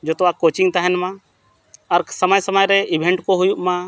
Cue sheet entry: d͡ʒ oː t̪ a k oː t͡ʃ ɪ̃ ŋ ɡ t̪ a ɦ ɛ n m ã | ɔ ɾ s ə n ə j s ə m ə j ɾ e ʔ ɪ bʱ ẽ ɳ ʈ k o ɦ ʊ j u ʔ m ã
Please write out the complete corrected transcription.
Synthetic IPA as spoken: d͡ʒ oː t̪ a k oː t͡ʃ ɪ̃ ŋ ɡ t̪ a ɦ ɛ n m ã | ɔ ɾ s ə m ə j s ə m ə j ɾ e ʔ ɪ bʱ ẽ ɳ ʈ k o ɦ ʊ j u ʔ m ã